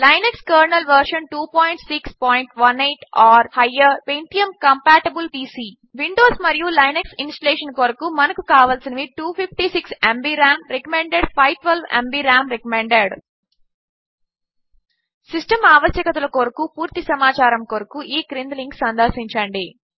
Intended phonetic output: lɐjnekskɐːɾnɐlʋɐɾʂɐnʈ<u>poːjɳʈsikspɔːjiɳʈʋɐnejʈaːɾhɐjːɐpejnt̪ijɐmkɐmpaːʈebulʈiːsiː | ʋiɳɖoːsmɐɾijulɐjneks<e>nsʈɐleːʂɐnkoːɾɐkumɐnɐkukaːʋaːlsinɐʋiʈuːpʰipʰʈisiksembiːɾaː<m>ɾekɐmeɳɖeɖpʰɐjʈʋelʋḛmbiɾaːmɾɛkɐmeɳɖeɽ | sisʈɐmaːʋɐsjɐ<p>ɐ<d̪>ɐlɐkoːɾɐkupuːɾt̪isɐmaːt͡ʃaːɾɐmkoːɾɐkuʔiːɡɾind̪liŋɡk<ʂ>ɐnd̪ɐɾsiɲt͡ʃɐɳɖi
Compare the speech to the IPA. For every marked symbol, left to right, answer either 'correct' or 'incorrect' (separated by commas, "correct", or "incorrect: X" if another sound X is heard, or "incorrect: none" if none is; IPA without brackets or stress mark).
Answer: incorrect: uː, incorrect: i, correct, incorrect: k, incorrect: t̪, incorrect: s